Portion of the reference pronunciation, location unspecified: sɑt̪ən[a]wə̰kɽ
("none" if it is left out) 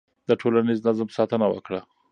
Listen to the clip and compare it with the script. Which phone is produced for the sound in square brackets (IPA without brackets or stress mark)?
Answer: a